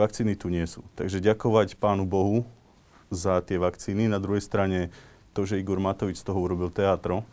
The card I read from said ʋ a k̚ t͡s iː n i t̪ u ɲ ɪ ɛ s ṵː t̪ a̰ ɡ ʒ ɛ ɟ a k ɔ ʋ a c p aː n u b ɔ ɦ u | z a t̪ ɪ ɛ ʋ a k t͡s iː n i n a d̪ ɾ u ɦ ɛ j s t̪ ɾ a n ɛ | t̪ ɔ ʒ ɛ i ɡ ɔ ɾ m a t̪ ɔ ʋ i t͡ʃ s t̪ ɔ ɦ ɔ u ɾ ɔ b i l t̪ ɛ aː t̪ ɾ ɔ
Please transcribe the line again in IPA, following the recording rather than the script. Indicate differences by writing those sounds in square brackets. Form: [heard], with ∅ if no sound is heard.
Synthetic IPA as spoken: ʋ a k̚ t͡s iː n i t̪ u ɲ ɪ ɛ s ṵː t̪ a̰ ɡ ʒ ɛ ɟ a k ɔ ʋ a c p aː n u b ɔ ɦ u | z a t̪ ɪ ɛ ʋ a k t͡s iː n i n a d̪ ɾ u ɦ ɛ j s t̪ ɾ a [ɲ] ɛ | t̪ ɔ ʒ ɛ i ɡ ɔ ɾ m a t̪ ɔ ʋ i t͡ʃ s t̪ ɔ ɦ ɔ u ɾ ɔ b i l t̪ ɛ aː t̪ ɾ ɔ